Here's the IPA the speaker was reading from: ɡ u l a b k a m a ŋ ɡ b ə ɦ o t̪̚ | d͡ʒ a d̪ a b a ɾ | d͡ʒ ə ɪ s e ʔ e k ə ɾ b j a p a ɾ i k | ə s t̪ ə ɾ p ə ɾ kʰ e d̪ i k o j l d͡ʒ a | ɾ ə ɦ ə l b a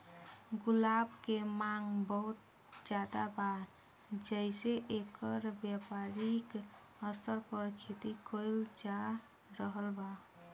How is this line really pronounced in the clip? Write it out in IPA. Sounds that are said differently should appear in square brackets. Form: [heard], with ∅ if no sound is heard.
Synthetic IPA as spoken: ɡ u l a b k [e] m a ŋ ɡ b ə ɦ [u] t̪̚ | d͡ʒ a d̪ a b a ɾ | d͡ʒ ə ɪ s e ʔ e k ə ɾ b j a p a ɾ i k | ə s t̪ ə ɾ p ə ɾ kʰ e [t̪] i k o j l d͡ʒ a | ɾ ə ɦ ə l b a